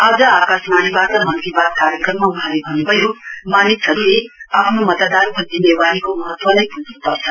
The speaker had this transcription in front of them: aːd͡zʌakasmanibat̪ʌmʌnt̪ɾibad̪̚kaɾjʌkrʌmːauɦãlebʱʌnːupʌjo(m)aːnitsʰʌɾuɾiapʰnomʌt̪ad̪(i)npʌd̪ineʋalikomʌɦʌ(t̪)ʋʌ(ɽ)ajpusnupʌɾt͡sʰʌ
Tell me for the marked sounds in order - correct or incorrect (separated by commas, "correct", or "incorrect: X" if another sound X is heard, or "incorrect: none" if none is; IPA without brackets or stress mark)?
correct, incorrect: a, correct, incorrect: l